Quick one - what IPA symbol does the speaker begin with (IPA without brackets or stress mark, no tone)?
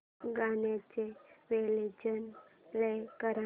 ɡ